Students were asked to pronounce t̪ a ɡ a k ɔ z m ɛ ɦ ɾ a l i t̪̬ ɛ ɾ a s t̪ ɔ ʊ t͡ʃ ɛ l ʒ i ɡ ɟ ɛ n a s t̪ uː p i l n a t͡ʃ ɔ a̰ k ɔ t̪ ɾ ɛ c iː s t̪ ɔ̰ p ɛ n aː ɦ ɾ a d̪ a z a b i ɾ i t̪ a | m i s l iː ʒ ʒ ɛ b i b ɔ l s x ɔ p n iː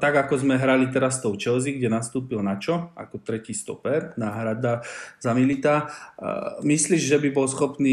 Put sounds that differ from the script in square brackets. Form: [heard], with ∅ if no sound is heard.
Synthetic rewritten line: t̪ a ɡ a k ɔ z m ɛ ɦ ɾ a l i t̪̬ ɛ ɾ a s t̪ ɔ ʊ t͡ʃ ɛ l [z] i ɡ ɟ ɛ n a s t̪ uː p i l n a t͡ʃ ɔ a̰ k ɔ t̪ ɾ ɛ c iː s t̪ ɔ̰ p ɛ n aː ɦ ɾ a d̪ a z a [m] i [l] i t̪ a | m i s l iː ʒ ʒ ɛ b i b ɔ l s x ɔ p n iː